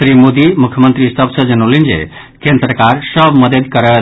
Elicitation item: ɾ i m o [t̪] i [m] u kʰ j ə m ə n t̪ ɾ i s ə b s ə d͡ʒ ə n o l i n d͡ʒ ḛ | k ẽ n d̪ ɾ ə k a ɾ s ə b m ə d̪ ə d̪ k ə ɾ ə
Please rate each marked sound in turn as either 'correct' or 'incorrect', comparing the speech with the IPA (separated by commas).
incorrect, correct